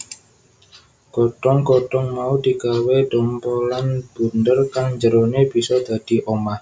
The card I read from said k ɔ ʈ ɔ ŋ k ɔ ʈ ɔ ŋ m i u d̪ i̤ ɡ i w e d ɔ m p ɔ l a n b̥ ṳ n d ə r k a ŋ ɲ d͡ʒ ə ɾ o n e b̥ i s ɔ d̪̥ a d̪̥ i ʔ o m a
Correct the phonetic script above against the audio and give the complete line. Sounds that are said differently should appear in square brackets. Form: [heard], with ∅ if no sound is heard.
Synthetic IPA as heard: k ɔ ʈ ɔ ŋ k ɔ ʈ ɔ ŋ m [a] u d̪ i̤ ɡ [a] w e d ɔ m p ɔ l a n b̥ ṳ n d ə r k a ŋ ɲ d͡ʒ ə ɾ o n e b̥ i s ɔ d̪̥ a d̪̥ i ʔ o m a